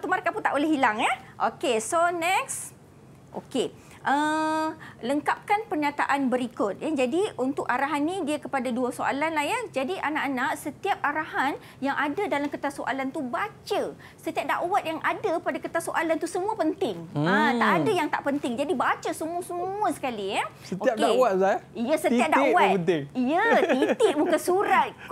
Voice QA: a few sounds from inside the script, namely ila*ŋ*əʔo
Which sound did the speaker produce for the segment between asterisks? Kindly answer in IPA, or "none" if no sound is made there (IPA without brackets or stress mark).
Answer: ŋ